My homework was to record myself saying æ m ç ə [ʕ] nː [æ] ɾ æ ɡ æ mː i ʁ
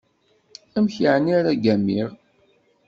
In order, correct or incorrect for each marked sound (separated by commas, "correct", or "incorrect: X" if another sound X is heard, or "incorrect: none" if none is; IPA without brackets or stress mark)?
correct, incorrect: i